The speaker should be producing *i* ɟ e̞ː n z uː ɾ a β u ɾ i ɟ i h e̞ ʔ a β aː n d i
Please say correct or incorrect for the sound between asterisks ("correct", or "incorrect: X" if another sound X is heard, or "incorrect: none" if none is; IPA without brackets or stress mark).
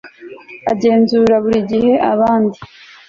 incorrect: a